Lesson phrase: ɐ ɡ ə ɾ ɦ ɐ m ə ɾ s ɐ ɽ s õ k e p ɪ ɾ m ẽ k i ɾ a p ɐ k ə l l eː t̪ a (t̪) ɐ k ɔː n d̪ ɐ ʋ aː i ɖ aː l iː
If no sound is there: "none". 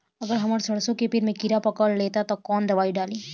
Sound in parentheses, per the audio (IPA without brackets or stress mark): t̪